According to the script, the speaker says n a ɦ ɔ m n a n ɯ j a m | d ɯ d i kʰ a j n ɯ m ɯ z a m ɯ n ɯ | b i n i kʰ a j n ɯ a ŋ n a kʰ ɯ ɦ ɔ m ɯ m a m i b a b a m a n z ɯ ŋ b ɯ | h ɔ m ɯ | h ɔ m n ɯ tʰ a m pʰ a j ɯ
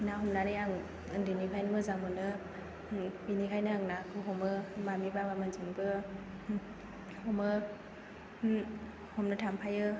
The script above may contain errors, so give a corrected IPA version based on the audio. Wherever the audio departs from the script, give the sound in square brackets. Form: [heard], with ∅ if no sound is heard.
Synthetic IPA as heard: n a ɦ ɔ m n a n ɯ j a [ŋ] | d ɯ [n] i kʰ a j n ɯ m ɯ z a m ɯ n ɯ | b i n i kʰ a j n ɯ a ŋ n a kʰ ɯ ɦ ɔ m ɯ m a m i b a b a m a n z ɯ ŋ b ɯ | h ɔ m ɯ | h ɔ m n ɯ tʰ a m pʰ a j ɯ